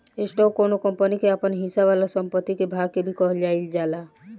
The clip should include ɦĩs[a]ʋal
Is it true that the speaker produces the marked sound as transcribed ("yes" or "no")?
yes